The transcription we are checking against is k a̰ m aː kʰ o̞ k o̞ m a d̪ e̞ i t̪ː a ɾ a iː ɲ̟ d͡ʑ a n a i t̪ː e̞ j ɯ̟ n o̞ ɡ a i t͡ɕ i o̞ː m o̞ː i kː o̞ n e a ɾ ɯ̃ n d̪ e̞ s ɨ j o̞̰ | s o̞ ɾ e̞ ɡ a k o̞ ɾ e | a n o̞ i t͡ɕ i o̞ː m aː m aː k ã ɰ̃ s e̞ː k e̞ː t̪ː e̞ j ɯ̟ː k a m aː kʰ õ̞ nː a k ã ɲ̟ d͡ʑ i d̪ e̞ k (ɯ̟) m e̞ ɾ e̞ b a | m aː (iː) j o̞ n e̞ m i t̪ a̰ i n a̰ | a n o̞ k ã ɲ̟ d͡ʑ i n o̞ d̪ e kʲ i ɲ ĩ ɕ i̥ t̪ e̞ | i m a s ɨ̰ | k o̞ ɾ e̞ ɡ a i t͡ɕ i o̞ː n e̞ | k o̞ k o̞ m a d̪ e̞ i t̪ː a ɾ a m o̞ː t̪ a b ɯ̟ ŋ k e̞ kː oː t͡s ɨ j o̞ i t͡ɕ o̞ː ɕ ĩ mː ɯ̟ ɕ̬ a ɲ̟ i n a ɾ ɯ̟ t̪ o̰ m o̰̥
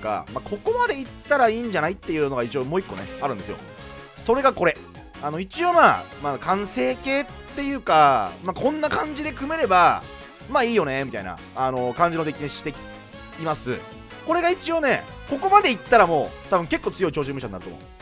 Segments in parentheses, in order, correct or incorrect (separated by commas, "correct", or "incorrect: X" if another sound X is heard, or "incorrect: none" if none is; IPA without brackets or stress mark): correct, correct